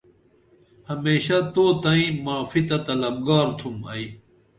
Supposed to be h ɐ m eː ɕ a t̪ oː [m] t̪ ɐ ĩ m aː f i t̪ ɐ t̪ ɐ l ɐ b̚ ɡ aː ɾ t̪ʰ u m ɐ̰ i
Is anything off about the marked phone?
yes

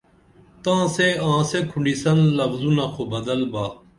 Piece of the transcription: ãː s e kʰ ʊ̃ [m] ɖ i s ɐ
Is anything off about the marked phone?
yes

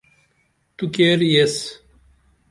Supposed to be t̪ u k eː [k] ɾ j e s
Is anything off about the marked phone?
yes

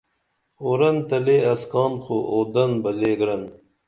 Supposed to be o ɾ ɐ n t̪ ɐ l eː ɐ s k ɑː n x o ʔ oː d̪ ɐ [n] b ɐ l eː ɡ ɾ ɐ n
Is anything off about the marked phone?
no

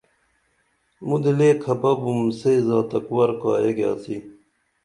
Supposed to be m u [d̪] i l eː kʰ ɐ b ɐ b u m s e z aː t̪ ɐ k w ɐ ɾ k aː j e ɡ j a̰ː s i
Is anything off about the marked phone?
no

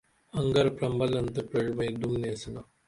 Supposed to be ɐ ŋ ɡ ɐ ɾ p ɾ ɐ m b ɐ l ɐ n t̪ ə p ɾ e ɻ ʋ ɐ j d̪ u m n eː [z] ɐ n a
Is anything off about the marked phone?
yes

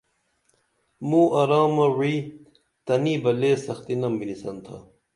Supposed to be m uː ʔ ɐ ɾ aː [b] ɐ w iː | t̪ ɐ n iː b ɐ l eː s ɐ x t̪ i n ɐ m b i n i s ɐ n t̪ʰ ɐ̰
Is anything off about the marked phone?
yes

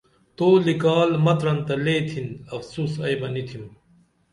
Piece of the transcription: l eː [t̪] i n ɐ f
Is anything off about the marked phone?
yes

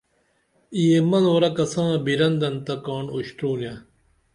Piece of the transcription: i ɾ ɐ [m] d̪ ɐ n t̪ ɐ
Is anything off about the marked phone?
yes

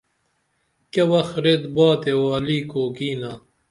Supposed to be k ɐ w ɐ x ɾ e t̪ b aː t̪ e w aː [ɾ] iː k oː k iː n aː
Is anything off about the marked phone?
yes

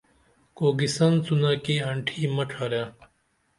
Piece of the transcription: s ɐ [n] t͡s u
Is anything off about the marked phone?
no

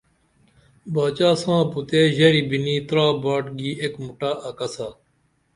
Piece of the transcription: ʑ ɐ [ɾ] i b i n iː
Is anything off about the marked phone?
no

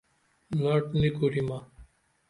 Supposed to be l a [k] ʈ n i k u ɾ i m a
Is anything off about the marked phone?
yes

